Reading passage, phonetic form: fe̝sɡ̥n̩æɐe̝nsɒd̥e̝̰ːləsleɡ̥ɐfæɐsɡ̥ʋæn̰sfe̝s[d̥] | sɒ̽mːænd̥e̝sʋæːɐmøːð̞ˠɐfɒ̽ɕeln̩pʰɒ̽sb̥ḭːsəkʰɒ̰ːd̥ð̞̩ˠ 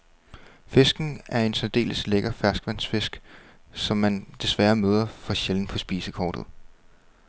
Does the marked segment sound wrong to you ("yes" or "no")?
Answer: yes